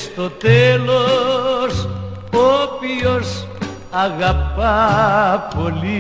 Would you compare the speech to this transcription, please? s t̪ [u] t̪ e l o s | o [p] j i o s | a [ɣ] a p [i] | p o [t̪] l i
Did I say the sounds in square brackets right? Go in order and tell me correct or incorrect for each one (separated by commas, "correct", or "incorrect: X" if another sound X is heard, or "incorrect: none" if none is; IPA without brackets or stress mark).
incorrect: o, correct, correct, incorrect: a, incorrect: none